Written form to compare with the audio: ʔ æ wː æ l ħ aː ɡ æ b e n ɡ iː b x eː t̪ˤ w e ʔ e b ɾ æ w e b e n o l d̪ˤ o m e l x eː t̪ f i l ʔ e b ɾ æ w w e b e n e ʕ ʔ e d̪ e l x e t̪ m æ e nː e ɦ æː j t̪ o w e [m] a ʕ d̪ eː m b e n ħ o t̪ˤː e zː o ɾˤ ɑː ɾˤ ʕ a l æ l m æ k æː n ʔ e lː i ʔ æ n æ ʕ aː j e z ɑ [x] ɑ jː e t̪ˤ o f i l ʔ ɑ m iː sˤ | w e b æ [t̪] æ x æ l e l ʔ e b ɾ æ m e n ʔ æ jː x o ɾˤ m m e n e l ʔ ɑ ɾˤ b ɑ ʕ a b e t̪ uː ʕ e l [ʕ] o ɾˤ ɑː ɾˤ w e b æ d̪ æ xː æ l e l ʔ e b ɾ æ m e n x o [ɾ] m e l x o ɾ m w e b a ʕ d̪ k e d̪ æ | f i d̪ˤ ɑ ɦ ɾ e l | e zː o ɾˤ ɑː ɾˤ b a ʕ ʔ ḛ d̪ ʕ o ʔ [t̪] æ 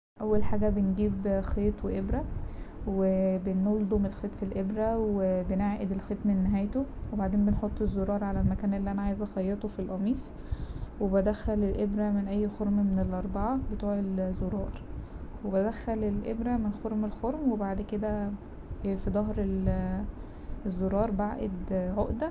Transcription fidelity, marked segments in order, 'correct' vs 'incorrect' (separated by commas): incorrect, correct, incorrect, incorrect, correct, incorrect